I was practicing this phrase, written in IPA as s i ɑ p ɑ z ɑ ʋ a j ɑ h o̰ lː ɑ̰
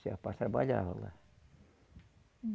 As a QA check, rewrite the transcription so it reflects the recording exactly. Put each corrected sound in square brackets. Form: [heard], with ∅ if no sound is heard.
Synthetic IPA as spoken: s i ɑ p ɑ [s] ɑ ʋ [ɑ] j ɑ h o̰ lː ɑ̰